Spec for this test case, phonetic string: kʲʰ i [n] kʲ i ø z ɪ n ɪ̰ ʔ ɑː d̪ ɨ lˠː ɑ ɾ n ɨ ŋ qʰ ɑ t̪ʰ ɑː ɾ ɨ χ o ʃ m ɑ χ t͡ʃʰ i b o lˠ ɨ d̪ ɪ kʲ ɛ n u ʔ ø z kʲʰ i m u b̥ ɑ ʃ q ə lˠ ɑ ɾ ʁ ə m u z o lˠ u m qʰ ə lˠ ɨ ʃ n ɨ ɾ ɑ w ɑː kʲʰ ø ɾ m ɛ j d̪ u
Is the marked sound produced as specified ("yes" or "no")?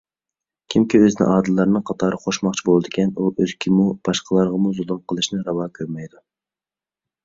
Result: no